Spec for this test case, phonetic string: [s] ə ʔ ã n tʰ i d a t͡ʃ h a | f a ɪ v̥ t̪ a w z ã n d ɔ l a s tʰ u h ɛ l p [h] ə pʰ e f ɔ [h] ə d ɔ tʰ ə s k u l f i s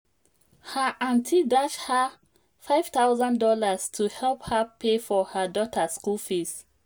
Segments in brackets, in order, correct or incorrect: incorrect: h, correct, correct

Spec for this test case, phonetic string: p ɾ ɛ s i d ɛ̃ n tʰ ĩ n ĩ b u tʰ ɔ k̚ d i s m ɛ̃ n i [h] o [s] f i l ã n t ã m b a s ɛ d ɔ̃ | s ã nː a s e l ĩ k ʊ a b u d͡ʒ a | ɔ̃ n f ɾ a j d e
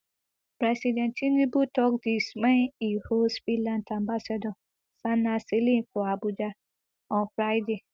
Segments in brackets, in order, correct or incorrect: correct, correct

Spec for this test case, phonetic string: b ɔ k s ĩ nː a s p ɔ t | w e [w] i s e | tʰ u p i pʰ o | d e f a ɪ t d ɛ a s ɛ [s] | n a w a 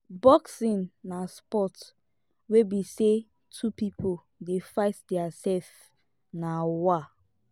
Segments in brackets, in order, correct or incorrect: incorrect: b, incorrect: f

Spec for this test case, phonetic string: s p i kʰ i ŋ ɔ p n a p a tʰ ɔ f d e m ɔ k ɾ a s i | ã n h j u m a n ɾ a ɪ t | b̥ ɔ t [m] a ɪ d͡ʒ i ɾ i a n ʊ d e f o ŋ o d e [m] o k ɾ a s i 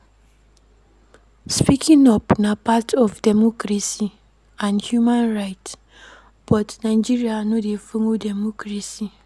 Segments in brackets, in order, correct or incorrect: incorrect: n, correct

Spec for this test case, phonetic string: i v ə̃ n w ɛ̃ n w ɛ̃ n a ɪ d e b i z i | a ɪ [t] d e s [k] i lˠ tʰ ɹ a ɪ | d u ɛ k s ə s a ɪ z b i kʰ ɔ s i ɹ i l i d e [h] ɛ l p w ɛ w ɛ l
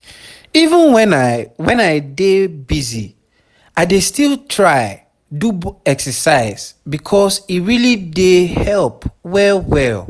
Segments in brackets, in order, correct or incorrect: incorrect: none, incorrect: t, correct

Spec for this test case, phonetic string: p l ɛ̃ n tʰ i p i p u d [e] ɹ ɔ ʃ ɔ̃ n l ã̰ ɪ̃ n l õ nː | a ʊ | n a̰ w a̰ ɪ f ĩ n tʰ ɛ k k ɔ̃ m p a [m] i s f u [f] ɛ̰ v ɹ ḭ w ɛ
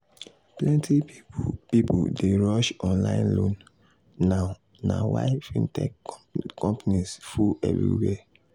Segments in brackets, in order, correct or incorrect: correct, incorrect: n, incorrect: none

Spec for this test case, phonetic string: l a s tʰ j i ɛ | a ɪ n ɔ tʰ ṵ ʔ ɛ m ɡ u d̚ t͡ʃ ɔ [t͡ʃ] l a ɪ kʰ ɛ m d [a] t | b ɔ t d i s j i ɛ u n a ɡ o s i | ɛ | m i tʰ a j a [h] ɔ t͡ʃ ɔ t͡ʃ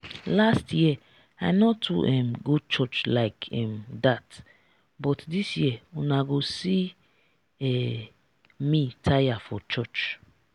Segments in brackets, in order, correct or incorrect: correct, correct, incorrect: f

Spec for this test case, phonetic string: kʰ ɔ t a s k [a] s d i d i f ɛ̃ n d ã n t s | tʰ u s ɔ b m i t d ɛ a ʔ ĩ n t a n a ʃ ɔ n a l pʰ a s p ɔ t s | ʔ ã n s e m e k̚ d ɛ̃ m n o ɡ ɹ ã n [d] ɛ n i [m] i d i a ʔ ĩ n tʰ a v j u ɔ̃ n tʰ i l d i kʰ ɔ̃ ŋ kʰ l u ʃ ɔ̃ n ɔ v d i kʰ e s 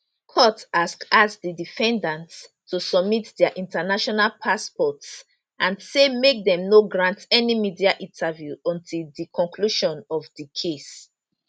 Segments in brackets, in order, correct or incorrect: correct, incorrect: t, correct

